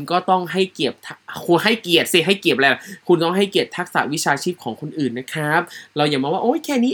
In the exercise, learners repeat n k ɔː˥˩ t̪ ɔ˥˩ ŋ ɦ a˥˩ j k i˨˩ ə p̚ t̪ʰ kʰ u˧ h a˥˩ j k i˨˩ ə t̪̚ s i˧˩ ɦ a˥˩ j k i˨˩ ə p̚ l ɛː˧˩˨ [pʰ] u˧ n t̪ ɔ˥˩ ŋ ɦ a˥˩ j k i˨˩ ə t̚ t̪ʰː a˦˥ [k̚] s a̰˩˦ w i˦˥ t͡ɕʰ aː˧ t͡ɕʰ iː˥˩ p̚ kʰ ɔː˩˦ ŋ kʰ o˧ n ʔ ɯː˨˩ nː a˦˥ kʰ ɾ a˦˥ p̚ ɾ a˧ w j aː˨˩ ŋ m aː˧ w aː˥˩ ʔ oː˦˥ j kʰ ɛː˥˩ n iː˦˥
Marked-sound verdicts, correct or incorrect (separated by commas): incorrect, correct